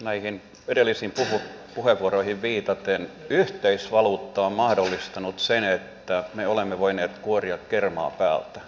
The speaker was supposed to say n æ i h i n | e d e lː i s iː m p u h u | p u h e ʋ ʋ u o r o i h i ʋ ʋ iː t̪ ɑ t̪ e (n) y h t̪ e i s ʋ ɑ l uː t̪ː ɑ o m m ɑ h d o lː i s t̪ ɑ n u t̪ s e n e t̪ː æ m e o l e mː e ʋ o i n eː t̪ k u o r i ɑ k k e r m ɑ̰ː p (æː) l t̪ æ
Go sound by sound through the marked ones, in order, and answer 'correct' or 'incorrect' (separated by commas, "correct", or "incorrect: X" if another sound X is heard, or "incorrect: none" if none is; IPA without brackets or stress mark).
correct, correct